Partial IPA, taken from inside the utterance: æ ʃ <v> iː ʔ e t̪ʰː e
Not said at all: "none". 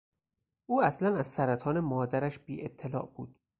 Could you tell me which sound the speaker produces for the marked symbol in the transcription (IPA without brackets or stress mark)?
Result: b